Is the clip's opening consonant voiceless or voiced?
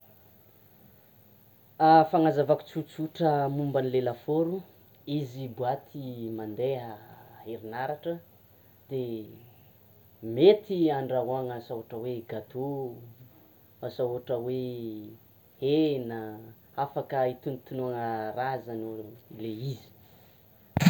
voiceless